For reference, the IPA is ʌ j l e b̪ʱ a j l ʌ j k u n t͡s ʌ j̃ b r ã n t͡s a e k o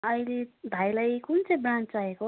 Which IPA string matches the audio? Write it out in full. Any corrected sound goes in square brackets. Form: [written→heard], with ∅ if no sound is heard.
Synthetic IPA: ʌ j l e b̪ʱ a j l [ʌ→a] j k u n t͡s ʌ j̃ b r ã n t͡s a e k o